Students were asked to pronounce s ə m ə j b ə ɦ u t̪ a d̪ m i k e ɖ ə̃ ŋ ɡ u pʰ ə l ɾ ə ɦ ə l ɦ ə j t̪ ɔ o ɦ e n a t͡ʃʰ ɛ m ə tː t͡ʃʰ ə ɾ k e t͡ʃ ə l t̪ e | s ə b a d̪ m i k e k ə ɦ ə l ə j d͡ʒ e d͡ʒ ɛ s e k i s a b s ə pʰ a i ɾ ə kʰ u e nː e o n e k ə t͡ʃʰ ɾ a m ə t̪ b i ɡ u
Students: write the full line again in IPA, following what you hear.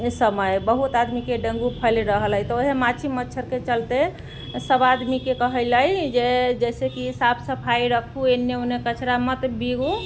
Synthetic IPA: s ə m ə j b ə ɦ u t̪ a d̪ m i k e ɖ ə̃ ŋ ɡ u pʰ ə l ɾ ə ɦ ə l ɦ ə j t̪ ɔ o ɦ e m a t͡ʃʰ i m ə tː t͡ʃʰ ə ɾ k e t͡ʃ ə l t̪ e | s ə b a d̪ m i k e k ə ɦ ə l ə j d͡ʒ e d͡ʒ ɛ s e k i s a b s ə pʰ a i ɾ ə kʰ u e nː e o n e k ə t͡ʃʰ ɾ a m ə t̪ b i ɡ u